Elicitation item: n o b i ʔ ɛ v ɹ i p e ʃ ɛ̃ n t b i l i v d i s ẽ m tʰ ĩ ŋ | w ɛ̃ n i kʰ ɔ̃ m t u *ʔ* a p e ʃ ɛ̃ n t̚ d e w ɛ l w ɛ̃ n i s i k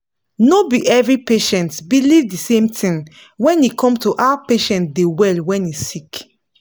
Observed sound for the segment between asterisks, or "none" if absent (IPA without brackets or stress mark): ʔ